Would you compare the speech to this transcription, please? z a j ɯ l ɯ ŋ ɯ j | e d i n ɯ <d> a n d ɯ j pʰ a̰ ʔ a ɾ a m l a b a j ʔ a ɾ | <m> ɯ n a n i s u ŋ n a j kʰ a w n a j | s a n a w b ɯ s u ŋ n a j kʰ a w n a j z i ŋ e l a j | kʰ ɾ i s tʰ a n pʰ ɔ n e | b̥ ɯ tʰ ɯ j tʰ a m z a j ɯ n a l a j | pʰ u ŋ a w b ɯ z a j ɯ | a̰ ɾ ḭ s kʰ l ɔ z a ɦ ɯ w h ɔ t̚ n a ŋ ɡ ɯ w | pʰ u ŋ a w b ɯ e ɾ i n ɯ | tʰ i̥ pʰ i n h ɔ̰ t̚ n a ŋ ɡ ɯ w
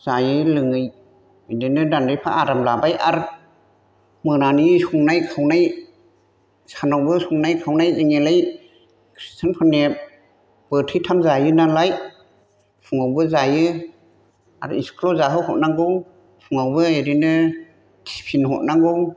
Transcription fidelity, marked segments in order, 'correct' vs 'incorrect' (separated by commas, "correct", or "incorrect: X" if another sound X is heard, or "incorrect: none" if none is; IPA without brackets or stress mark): correct, correct